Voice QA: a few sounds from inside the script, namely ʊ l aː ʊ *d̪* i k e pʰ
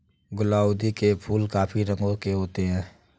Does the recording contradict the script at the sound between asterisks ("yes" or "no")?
no